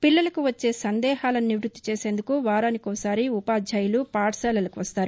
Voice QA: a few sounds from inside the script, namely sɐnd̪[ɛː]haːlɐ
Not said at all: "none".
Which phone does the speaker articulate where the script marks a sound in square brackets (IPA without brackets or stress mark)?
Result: ɛː